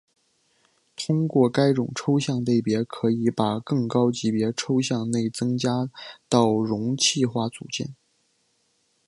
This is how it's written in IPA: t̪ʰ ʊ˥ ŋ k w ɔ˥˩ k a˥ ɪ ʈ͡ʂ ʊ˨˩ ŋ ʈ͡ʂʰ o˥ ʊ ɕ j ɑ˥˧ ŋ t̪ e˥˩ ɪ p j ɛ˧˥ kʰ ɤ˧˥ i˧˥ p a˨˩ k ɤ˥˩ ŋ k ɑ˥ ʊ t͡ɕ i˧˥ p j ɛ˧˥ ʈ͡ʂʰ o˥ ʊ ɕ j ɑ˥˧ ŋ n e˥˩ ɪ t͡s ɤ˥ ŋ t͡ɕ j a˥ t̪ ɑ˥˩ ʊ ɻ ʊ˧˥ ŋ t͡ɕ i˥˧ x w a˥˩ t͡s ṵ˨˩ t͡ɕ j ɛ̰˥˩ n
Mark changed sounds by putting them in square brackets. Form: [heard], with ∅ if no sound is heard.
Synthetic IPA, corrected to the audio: t̪ʰ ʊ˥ ŋ k w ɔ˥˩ k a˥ ɪ ʈ͡ʂ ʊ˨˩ ŋ ʈ͡ʂʰ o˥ ʊ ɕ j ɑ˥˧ ŋ t̪ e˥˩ ɪ p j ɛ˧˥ kʰ ɤ˧˥ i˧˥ p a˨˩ k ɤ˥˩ ŋ k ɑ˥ ʊ t͡ɕ i˧˥ p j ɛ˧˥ ʈ͡ʂʰ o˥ ʊ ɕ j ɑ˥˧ ŋ n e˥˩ ɪ t͡s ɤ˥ ŋ t͡ɕ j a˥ t̪ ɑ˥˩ ʊ ɻ ʊ˧˥ ŋ [t͡ɕʰ] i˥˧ x w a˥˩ t͡s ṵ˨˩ t͡ɕ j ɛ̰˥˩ n